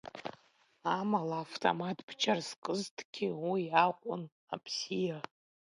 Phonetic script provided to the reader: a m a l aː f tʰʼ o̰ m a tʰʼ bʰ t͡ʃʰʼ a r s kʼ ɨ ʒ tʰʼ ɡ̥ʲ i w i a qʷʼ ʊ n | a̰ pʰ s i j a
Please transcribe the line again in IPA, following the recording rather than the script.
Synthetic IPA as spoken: a m a l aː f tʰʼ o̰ m a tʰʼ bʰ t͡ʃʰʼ a r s kʼ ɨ z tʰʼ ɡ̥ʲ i w i a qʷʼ ʊ n | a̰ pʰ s i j a

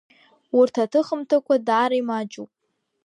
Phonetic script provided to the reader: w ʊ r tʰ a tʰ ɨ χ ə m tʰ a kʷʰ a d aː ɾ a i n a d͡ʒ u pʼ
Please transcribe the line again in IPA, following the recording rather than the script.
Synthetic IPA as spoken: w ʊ r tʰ a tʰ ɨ χ ə m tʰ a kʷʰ a d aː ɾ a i m a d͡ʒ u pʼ

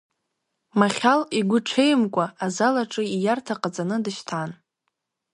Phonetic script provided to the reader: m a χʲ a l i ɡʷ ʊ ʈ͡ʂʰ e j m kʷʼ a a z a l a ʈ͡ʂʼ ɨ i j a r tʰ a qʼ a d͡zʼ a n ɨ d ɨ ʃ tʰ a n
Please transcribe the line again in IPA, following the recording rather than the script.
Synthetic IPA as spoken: m a χʲ a l i ɡʷ ʊ ʈ͡ʂʰ e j m kʷʼ a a z a l a ʈ͡ʂʼ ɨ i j a r tʰ a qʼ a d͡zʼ a n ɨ d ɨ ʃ tʰ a n

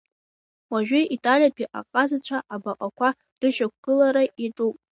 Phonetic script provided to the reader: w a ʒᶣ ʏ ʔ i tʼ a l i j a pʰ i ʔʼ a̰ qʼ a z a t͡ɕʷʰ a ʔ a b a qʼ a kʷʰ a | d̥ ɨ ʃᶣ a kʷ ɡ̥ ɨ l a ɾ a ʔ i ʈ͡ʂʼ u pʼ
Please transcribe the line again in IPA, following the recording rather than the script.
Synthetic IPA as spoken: w a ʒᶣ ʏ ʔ i tʼ a l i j a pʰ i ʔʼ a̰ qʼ a z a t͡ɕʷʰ a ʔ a b a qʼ a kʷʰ a | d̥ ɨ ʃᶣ a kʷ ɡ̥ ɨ l a ɾ a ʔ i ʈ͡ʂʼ u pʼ

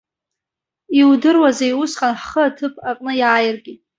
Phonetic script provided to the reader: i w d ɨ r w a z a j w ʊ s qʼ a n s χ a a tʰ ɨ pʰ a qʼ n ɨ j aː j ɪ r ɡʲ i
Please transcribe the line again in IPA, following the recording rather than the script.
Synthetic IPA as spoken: i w d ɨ r w a z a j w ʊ s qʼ a n ħ χ ə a tʰ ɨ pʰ a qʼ n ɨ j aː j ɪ r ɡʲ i

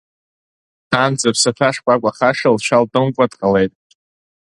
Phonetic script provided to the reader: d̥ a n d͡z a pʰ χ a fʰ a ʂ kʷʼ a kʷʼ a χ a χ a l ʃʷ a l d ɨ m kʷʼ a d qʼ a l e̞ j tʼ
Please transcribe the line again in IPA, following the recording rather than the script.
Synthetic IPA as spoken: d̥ a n d͡z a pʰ s a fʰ a ʂ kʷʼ a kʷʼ a χ a ʂ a l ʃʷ a l d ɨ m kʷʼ a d qʼ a l e̞ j tʼ

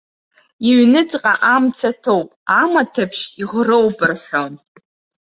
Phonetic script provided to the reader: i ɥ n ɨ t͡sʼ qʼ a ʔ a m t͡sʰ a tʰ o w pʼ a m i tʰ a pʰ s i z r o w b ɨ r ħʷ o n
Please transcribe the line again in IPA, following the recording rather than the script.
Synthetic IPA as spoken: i ɥ n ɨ t͡sʼ qʼ a ʔ a m t͡sʰ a tʰ o w pʼ a m a tʰ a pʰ ʃ i ʁ r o w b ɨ r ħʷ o n

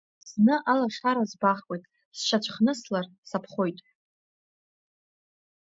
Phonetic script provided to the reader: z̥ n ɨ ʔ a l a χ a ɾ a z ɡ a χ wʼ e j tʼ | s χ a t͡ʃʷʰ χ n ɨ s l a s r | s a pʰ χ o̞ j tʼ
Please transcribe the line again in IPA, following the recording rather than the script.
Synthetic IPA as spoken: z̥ n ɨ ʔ a l a ʂ a ɾ a z b a χ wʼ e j tʼ | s ʃ a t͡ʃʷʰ χ n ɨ s l a r | s a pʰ χ o̞ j tʼ

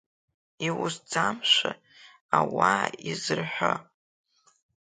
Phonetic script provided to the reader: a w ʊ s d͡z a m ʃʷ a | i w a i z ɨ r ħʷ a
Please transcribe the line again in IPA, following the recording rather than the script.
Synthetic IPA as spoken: i w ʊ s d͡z a m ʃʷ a | a w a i z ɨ r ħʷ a

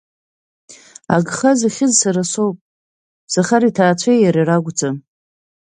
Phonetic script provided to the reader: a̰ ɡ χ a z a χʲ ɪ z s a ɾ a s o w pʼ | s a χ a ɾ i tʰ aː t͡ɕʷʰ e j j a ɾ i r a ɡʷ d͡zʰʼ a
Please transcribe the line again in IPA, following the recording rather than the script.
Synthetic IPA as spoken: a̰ ɡ χ a z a χʲ ɪ z s a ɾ a s o w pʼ | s a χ a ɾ i tʰ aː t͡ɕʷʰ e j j a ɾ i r a ɡʷ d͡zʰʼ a

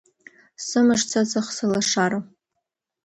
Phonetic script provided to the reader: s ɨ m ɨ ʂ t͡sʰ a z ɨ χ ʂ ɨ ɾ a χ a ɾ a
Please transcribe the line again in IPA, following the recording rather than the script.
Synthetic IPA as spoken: s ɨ m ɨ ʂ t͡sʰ a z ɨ χ s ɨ l a ʂ a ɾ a

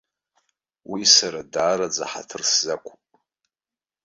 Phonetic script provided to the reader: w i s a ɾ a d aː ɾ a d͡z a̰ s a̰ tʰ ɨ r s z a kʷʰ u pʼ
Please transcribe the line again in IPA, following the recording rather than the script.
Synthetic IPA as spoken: w i s a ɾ a d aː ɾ a d͡z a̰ ħ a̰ tʰ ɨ r s z a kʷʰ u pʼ

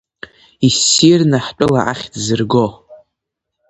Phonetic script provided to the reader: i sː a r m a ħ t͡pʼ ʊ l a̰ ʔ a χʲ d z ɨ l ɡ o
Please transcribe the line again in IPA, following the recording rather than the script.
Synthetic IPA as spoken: i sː i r n a ħ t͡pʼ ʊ l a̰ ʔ a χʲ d z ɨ r ɡ o

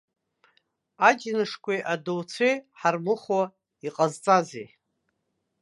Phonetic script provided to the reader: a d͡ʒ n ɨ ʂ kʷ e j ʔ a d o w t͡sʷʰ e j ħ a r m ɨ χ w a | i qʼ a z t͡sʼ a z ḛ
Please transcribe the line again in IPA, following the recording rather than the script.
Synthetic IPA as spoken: a d͡ʒ n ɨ ʂ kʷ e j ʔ a d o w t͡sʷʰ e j ħ a r m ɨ χ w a | i qʼ a z t͡sʼ a z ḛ

